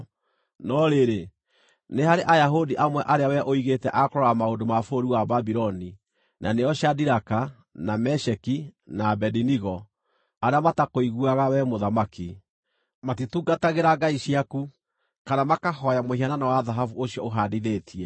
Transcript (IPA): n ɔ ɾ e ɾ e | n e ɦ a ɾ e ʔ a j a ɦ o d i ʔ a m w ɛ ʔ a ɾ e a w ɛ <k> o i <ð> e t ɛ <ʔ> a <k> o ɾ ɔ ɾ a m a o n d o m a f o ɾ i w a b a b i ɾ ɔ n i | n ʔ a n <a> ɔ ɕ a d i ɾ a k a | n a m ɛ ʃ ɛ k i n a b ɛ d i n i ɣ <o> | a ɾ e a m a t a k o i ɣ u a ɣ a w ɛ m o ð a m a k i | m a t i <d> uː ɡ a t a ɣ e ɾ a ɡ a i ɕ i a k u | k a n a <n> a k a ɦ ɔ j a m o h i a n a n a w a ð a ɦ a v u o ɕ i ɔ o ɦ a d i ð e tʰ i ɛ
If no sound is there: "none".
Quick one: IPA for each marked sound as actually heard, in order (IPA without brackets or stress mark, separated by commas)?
ʔ, ɣ, ʔ, k, e, ɔ, t, m